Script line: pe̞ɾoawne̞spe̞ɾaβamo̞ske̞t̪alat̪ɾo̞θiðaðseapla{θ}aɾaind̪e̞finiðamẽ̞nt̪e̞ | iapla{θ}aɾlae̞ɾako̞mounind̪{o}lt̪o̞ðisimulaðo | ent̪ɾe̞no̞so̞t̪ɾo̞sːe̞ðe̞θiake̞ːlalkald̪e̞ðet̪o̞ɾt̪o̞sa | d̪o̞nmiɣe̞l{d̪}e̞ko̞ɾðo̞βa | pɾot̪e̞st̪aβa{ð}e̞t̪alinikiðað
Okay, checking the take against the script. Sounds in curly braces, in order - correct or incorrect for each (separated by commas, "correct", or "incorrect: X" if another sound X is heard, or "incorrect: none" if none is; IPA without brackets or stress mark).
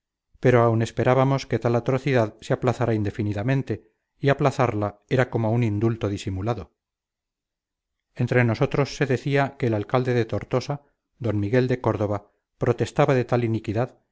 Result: correct, correct, incorrect: u, correct, correct